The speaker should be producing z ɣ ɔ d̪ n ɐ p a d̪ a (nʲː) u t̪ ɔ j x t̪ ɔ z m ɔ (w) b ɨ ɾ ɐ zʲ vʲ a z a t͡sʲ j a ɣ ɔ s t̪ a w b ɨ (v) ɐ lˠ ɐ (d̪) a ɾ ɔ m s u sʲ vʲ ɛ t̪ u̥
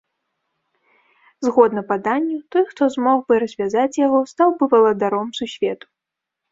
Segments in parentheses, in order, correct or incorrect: correct, incorrect: ɣ, correct, correct

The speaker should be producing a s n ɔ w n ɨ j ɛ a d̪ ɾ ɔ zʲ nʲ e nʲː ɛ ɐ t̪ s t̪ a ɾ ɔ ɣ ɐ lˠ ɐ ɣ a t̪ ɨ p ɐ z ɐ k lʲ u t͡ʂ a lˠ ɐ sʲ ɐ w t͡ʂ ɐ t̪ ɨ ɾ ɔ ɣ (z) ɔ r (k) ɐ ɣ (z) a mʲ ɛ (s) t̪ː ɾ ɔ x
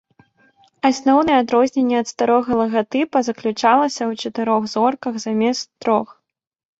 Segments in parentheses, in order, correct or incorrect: correct, correct, correct, correct

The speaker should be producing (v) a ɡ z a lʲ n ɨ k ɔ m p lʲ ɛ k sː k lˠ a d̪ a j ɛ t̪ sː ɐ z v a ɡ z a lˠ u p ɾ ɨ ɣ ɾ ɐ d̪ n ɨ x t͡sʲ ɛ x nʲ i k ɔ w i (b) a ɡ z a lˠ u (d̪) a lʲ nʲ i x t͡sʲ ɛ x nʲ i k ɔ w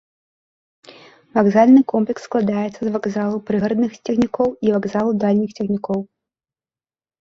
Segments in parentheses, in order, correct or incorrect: correct, incorrect: v, correct

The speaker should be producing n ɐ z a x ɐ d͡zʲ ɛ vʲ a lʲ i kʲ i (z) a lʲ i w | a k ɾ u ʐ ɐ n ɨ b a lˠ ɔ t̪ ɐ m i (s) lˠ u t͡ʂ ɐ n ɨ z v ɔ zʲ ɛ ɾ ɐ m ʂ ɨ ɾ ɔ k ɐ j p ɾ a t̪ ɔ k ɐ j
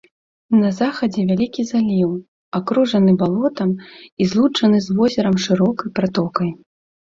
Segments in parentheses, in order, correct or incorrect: correct, incorrect: z

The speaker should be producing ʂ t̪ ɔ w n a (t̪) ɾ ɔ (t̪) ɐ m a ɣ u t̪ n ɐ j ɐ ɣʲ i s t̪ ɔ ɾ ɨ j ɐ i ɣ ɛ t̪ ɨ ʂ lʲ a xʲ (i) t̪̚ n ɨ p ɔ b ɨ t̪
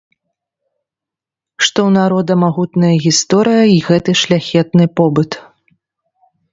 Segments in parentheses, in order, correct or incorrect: incorrect: none, incorrect: d̪, incorrect: ɛ

